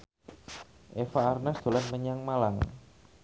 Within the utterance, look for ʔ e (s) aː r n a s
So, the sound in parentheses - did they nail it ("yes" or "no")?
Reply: no